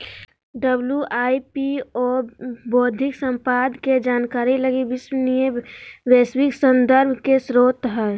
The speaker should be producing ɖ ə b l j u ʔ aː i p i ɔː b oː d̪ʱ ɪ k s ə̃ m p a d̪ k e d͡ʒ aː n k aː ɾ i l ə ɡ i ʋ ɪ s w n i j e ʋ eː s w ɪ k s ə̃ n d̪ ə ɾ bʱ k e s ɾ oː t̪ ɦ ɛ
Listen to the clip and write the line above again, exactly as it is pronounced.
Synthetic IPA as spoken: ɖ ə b l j u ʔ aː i p i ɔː b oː d̪ʱ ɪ k s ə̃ m p a d̪ k e d͡ʒ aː n k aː ɾ i l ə ɡ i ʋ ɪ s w n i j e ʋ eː s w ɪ k s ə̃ n d̪ ə ɾ bʱ k e s ɾ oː t̪ ɦ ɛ